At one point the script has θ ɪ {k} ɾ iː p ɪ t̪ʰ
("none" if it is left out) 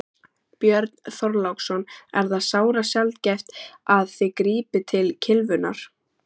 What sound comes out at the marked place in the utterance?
k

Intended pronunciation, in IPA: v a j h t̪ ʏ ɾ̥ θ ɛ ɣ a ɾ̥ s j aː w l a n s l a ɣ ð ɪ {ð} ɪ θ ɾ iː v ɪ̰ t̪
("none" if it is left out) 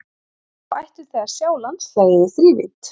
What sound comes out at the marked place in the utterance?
ð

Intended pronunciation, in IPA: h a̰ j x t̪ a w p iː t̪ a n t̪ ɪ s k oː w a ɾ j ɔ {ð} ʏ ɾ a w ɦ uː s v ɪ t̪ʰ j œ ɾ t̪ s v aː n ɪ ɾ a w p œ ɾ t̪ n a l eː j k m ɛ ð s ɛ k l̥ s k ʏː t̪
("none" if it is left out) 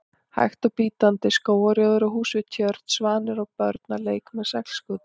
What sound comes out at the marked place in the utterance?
ð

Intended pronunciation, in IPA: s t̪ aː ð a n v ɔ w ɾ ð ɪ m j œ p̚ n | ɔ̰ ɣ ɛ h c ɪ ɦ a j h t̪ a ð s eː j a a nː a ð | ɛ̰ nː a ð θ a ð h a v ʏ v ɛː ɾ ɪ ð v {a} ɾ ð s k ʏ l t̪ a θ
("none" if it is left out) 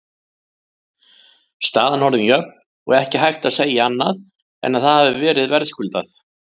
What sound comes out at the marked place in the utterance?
ɛ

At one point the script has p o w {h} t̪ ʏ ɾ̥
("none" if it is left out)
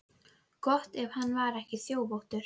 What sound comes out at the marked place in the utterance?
h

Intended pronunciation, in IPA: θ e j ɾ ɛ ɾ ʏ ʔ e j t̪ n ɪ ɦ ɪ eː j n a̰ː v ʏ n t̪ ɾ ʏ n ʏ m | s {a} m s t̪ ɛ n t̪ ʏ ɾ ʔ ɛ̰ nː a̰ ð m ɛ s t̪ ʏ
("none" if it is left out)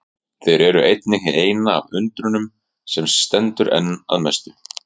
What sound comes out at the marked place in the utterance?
ɛ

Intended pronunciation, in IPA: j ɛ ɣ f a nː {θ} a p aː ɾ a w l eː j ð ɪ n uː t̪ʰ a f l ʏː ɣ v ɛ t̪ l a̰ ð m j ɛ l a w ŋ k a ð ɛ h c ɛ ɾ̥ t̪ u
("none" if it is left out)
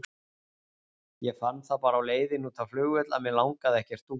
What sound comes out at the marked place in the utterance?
θ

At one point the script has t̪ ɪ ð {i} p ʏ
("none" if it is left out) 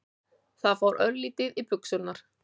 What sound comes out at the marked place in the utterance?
i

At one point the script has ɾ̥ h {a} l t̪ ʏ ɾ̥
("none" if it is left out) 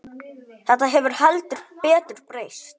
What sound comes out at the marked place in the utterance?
a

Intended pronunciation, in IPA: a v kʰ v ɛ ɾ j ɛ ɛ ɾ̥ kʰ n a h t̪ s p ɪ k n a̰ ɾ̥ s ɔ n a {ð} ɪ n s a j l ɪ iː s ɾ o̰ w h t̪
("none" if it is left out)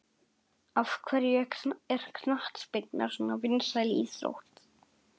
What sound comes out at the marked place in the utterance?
v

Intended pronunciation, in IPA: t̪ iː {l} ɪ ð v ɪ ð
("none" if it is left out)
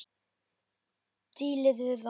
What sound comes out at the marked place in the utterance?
l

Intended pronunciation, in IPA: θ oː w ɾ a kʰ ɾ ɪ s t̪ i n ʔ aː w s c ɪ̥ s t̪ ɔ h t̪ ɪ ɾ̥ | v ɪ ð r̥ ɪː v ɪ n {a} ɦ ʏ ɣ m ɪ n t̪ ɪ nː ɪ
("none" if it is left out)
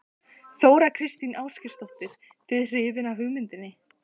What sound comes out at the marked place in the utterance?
a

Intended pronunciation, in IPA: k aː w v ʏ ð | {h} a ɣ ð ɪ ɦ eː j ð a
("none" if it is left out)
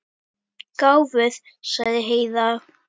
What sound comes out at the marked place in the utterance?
s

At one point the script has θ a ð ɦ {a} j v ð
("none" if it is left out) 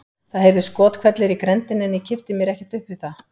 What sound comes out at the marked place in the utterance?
e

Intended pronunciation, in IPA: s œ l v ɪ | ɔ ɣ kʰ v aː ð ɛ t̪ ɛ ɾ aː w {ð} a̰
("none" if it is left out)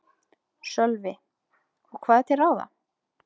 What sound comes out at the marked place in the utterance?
ð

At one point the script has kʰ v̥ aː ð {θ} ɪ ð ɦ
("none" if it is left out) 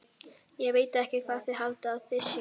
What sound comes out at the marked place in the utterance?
θ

